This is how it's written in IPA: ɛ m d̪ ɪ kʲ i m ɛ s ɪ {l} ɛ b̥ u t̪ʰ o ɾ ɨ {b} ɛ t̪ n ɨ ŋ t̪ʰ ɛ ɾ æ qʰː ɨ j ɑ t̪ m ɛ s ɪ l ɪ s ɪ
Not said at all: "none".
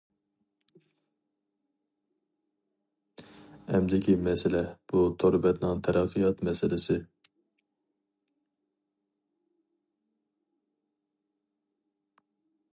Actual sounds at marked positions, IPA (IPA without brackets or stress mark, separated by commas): l, b